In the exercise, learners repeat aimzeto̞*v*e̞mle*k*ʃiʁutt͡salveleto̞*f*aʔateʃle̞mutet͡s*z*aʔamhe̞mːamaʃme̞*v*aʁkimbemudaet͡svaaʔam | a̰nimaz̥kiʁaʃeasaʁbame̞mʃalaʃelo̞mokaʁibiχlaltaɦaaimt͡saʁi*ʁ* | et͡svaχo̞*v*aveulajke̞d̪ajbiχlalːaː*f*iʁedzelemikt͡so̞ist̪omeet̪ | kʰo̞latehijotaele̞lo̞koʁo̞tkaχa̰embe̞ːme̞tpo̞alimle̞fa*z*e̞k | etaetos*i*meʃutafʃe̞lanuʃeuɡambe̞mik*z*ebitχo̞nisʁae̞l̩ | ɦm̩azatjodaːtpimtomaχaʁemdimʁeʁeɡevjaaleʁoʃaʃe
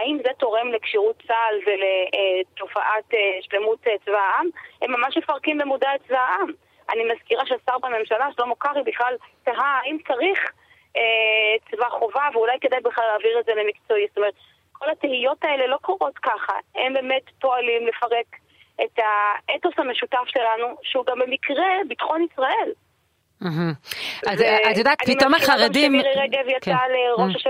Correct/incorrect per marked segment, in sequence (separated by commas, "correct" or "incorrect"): incorrect, correct, correct, incorrect, incorrect, incorrect, correct, incorrect, incorrect, incorrect, incorrect